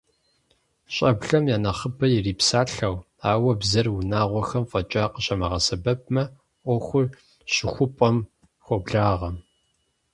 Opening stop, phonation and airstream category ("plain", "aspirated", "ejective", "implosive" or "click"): plain